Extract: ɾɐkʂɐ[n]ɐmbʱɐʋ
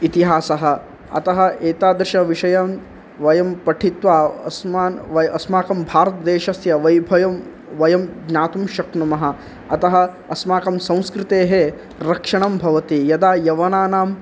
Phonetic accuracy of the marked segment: incorrect: ɳ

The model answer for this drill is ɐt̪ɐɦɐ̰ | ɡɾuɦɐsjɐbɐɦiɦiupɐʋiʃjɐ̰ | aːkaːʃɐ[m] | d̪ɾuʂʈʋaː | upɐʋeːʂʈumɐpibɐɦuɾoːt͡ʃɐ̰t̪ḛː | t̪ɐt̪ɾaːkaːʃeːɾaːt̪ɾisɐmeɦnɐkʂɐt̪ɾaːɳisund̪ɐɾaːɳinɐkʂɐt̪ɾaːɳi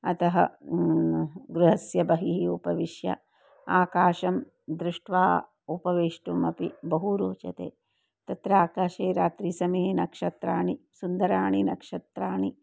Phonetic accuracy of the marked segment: correct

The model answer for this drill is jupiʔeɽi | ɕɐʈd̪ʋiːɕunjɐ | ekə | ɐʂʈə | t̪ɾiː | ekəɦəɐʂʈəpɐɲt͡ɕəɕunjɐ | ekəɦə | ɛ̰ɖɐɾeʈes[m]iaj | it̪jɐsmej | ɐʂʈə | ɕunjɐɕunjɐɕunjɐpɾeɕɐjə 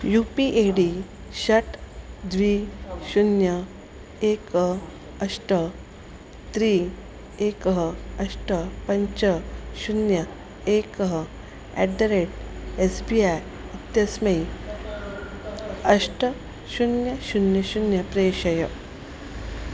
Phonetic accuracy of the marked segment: incorrect: b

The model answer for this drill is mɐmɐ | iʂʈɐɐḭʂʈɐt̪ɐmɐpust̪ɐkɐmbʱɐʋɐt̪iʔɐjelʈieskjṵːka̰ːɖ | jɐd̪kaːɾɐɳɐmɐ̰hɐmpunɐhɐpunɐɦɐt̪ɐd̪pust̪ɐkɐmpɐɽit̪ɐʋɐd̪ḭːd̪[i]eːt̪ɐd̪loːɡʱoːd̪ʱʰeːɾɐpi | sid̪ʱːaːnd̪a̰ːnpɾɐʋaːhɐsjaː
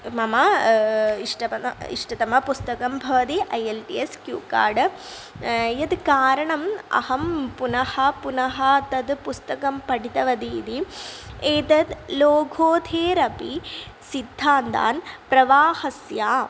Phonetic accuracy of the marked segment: correct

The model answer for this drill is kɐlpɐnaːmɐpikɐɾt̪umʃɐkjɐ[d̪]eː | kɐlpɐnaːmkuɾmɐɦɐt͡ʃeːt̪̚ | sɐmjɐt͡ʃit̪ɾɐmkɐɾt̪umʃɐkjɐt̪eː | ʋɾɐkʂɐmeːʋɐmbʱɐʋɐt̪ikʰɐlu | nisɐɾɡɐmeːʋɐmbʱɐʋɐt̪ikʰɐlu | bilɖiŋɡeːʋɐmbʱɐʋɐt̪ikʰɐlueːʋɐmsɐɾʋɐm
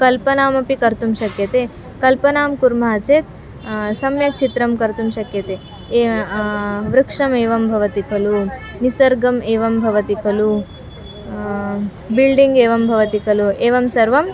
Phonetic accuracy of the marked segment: incorrect: t̪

